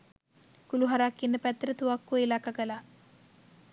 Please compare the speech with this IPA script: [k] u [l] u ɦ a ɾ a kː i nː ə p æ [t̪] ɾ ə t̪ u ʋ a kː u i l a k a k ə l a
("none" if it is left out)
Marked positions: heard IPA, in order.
k, l, t̪

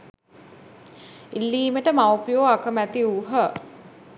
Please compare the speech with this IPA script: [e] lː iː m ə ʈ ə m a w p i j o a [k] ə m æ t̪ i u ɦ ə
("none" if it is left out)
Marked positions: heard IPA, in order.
i, k

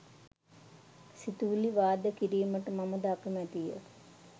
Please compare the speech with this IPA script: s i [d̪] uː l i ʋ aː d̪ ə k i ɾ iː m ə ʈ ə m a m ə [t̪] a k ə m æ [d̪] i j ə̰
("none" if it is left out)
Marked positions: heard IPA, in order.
t̪, d̪, t̪

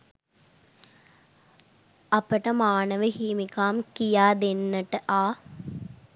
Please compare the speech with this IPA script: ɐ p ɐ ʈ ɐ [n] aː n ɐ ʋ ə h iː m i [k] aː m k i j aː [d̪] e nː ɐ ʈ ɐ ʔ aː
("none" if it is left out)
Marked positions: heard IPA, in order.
m, k, d̪

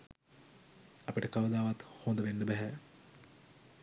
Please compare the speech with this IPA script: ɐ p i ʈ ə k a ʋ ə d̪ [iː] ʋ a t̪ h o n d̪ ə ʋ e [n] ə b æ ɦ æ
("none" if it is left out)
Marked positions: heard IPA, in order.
aː, nː

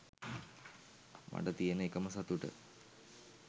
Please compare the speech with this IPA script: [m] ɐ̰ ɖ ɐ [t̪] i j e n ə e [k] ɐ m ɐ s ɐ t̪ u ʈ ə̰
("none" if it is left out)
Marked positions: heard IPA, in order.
m, t̪, k

